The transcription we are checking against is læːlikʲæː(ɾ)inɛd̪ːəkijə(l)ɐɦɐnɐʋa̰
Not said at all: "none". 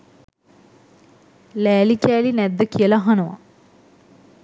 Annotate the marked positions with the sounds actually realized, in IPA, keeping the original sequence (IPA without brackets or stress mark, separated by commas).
l, l